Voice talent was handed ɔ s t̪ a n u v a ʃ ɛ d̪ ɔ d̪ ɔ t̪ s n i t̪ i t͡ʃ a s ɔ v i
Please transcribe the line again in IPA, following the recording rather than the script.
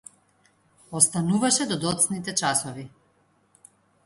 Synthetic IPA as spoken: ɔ s t̪ a n u v a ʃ ɛ d̪ ɔ d̪ ɔ t̪ s n i t̪ ɛ t͡ʃ a s ɔ v i